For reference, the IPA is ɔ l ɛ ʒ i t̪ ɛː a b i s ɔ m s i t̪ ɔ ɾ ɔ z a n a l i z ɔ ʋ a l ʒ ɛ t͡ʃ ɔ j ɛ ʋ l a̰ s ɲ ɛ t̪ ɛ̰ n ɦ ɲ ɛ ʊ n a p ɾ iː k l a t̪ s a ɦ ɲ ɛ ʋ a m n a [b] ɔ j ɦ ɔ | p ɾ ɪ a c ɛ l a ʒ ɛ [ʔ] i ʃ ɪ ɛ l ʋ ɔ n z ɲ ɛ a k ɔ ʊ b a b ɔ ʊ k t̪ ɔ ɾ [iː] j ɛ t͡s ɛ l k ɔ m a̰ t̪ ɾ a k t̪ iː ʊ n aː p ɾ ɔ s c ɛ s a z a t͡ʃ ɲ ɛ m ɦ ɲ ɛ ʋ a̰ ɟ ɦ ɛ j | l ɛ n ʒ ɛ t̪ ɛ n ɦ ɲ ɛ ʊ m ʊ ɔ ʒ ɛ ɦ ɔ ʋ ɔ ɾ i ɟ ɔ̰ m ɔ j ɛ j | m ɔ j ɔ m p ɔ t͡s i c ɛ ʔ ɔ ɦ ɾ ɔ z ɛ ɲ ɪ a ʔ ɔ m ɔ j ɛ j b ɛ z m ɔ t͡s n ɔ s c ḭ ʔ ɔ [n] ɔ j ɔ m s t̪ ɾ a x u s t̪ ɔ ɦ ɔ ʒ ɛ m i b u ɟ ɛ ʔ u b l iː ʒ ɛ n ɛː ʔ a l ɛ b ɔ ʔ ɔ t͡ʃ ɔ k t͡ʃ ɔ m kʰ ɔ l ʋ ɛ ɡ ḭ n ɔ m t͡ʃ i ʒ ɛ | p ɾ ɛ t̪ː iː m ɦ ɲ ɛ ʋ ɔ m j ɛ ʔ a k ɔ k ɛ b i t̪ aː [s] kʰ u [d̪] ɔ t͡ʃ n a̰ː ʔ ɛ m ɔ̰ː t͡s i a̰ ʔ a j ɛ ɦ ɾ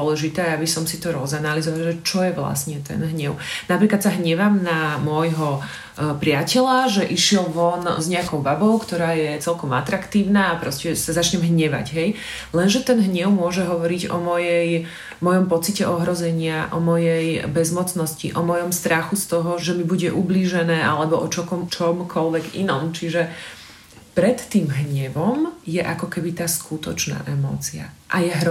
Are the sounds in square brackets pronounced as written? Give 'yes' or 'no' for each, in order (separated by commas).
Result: no, yes, no, no, yes, no